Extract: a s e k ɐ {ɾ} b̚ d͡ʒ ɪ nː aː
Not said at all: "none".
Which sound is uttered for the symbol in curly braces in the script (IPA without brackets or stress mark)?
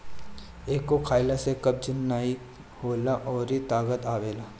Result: none